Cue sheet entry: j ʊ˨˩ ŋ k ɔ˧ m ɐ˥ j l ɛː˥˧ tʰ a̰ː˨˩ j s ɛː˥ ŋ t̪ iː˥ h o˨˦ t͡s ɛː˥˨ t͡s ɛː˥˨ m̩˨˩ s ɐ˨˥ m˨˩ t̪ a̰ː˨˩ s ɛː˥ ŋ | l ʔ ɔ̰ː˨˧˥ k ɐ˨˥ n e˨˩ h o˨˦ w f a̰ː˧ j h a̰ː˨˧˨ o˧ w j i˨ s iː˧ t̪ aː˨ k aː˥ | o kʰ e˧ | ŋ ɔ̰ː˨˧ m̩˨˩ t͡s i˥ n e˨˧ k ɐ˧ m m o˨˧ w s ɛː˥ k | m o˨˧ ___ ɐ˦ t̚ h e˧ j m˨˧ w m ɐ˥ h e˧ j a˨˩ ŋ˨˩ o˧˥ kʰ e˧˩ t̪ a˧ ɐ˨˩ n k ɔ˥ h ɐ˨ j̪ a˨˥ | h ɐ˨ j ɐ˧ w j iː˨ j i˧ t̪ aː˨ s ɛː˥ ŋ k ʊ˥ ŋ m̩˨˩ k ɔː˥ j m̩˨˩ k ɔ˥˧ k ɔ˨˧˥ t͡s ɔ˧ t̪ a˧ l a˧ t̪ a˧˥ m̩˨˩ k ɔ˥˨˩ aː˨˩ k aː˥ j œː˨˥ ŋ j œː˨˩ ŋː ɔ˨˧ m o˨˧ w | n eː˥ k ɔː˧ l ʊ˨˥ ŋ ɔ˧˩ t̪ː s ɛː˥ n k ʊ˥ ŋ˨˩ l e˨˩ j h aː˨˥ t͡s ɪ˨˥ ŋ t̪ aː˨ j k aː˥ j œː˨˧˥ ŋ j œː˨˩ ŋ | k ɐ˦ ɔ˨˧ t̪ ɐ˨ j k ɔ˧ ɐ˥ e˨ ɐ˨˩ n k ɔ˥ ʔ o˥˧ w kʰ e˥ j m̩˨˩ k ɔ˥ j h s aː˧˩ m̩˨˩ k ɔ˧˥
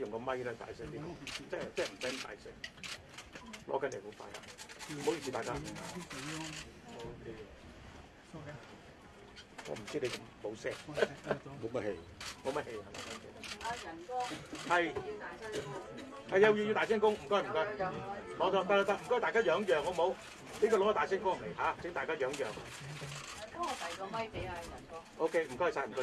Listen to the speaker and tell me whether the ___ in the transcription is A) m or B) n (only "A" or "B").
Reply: A